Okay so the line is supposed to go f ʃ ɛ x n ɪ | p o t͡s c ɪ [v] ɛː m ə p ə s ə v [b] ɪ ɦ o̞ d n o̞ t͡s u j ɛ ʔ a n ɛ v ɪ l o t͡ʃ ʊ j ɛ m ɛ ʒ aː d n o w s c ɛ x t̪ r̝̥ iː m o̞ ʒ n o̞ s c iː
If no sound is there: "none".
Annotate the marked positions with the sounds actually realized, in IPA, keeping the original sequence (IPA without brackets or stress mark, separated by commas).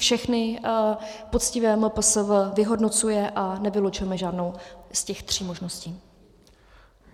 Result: v, v